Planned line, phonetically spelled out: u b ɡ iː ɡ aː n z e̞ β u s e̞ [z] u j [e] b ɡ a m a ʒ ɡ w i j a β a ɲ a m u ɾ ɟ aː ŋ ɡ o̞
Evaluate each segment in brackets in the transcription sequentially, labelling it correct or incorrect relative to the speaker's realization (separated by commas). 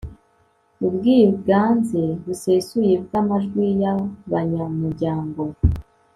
incorrect, correct